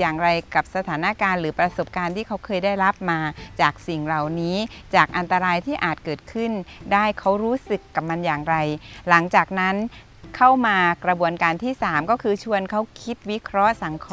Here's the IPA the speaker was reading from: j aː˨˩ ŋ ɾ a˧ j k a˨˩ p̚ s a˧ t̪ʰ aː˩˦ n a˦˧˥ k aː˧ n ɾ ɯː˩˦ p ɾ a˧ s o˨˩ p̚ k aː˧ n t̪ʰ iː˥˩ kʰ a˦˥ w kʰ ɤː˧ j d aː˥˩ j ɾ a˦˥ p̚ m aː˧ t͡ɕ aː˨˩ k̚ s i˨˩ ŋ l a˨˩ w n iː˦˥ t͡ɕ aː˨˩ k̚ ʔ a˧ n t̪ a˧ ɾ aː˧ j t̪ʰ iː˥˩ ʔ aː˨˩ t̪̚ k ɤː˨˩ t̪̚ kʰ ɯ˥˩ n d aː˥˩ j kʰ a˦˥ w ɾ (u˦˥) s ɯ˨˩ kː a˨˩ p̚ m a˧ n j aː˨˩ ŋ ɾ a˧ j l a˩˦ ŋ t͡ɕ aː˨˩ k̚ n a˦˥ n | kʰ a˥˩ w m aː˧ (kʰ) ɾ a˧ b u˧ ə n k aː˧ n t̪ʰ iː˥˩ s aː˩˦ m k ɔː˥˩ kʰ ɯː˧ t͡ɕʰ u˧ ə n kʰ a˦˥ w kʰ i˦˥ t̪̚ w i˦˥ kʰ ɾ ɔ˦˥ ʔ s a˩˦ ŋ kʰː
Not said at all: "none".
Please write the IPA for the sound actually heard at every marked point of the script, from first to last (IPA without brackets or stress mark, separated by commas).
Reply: uː˦˥, k